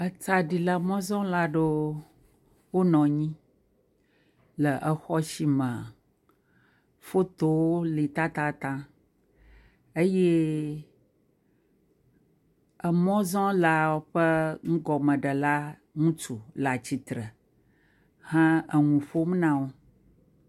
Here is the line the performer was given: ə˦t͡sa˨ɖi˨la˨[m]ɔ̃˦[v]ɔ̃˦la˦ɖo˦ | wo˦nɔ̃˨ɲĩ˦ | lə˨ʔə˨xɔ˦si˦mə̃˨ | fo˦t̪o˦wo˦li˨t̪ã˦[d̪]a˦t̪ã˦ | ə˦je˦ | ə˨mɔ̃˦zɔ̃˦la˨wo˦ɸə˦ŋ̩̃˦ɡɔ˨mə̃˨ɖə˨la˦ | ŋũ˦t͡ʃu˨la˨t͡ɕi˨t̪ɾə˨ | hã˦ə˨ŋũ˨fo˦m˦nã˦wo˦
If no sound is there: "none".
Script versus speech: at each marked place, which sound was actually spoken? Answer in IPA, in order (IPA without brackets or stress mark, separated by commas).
m, z, t̪